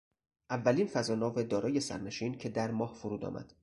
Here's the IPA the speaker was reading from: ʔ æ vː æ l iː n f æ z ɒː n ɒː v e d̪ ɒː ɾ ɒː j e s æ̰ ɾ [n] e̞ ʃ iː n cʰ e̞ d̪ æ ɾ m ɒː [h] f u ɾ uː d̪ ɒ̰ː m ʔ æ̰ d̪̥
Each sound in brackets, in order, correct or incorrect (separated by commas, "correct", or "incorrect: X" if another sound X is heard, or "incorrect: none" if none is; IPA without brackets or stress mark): correct, correct